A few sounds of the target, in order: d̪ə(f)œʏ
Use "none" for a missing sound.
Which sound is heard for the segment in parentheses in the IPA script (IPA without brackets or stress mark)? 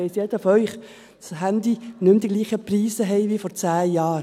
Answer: f